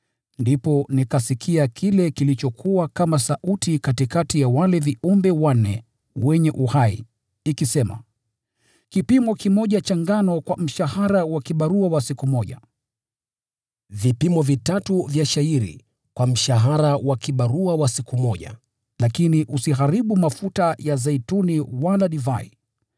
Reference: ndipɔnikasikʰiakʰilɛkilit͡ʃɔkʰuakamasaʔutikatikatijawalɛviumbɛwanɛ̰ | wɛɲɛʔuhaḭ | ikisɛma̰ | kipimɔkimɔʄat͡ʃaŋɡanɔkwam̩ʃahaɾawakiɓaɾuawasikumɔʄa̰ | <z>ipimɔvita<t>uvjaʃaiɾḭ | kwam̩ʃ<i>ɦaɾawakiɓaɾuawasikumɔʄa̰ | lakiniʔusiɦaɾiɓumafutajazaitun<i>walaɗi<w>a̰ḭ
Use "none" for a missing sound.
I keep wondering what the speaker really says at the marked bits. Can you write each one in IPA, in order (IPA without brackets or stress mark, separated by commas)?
v, t, a, i, v